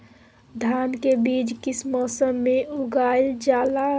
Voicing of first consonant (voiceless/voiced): voiced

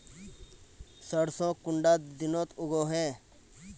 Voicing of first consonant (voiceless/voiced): voiceless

